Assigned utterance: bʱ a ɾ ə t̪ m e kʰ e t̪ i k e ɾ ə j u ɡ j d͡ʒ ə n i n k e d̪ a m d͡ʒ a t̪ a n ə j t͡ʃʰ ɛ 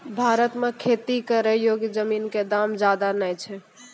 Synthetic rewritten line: bʱ a ɾ ə t̪ m e kʰ e t̪ i k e ɾ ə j o ɡ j d͡ʒ ə m i n k e d̪ a m d͡ʒ a d̪ a n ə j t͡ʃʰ ɛ